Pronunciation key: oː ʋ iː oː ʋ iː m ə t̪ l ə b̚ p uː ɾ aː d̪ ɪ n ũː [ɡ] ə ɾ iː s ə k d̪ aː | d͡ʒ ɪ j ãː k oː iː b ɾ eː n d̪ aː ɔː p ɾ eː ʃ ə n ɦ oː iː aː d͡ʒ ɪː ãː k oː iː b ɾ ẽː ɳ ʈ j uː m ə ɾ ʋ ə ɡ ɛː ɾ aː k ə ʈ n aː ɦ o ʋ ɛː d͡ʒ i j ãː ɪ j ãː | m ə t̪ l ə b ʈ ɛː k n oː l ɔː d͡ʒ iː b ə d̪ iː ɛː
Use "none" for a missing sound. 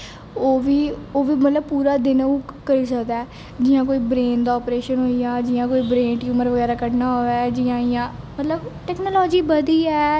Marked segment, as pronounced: k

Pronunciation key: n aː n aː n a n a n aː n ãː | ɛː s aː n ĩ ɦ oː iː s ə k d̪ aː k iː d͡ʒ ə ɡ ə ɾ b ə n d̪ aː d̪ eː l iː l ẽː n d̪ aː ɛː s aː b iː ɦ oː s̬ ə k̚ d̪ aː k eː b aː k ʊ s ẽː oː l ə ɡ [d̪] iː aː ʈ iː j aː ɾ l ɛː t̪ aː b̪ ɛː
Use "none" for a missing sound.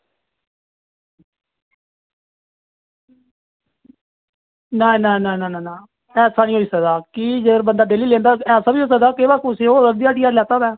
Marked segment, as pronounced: d̪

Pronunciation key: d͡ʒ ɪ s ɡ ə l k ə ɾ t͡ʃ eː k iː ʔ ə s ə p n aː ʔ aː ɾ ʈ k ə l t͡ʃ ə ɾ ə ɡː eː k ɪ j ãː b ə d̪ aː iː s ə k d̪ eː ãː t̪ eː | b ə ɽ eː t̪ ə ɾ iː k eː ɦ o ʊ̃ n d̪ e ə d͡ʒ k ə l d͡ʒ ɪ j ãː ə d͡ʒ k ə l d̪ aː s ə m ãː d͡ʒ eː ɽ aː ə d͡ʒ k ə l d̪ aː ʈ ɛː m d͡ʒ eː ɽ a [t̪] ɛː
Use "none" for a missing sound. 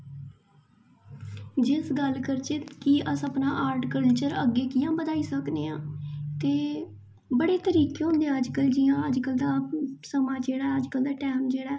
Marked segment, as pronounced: none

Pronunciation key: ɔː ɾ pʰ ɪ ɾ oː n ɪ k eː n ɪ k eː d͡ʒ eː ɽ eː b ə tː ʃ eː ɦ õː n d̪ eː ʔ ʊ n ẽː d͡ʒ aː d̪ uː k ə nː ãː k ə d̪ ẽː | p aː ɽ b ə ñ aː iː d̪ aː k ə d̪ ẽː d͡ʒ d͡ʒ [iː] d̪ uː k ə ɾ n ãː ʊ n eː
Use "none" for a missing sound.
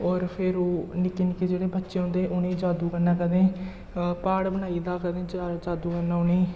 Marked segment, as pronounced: aː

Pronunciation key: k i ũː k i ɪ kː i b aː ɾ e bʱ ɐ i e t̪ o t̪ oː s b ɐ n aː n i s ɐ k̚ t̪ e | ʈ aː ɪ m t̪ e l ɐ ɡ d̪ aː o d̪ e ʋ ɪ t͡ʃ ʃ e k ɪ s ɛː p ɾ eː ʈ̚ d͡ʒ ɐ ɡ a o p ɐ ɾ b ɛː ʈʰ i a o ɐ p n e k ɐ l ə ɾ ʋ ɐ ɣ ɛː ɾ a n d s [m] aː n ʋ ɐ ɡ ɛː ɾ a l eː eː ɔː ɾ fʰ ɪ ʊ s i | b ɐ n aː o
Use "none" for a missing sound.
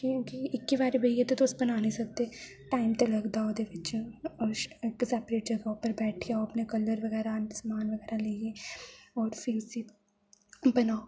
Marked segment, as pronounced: m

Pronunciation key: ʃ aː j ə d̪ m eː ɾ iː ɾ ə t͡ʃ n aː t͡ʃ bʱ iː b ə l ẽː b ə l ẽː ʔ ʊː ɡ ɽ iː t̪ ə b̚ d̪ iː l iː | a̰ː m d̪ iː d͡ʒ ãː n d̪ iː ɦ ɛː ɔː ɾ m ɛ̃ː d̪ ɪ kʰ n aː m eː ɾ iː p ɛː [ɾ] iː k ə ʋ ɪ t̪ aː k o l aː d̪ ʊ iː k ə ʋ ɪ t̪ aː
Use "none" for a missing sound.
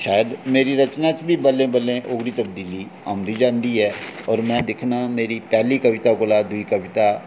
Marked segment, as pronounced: l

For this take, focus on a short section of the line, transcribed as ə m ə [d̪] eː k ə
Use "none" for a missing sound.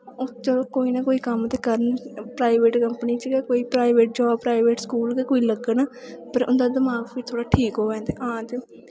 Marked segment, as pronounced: t̪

